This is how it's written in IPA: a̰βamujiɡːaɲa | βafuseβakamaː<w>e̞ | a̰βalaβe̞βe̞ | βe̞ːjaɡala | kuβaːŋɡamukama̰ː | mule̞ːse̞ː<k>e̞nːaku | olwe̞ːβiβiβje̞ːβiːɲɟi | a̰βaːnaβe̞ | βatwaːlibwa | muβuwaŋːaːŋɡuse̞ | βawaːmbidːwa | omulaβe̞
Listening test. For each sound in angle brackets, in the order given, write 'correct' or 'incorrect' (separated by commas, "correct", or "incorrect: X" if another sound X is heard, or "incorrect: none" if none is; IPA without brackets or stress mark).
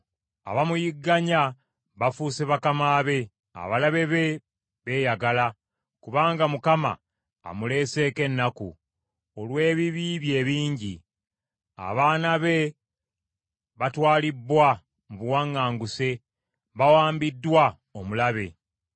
incorrect: β, correct